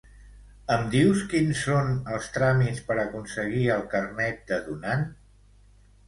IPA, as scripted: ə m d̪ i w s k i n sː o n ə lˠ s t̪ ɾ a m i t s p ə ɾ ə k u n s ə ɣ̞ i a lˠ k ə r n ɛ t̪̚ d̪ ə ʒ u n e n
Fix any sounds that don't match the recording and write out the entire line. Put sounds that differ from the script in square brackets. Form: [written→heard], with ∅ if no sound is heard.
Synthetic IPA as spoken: ə m d̪ i w s k i n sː o n ə lˠ s t̪ ɾ a m i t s p ə ɾ ə k u n s ə ɣ̞ i [a→ə] lˠ k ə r n ɛ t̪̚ d̪ ə [ʒ→ð] u n [e→a] n